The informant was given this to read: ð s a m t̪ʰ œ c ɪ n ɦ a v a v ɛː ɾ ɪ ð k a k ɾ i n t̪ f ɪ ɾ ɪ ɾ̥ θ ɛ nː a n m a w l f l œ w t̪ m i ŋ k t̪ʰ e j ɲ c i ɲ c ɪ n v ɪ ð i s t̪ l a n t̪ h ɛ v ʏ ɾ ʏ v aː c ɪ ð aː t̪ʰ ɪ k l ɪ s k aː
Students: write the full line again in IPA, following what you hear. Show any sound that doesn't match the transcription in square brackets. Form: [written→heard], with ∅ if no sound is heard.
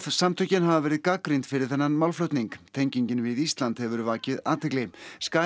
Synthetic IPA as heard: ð s a m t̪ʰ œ c ɪ n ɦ a v a v ɛː ɾ ɪ ð k a k ɾ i n t̪ f ɪ ɾ ɪ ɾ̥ θ ɛ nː a n m a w l f l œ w t̪ [m→n] i ŋ k t̪ʰ e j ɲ c i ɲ c ɪ n v ɪ ð i s t̪ l a n t̪ h ɛ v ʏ ɾ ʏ v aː c ɪ ð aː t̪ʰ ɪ k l ɪ s k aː